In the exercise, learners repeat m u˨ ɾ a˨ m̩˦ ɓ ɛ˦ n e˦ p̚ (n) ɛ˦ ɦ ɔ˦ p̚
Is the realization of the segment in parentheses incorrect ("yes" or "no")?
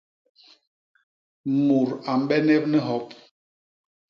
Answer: no